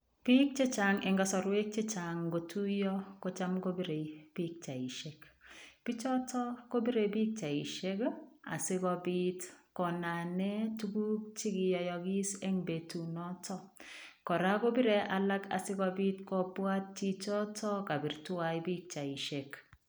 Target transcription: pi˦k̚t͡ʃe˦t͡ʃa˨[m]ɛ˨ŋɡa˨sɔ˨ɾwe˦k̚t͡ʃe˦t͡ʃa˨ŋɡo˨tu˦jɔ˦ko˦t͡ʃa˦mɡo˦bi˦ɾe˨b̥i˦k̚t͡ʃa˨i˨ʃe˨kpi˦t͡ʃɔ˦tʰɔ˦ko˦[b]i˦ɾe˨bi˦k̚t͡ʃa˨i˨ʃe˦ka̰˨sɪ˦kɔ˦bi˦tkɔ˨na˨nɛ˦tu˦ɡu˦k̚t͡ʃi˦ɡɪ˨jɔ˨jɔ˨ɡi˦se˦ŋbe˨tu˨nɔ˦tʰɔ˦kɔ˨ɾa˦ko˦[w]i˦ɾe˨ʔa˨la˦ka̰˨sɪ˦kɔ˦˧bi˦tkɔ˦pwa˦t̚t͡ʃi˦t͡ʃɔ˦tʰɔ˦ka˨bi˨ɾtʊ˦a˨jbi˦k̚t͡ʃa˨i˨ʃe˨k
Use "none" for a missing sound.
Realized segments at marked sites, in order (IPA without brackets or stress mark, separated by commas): ŋ, b, b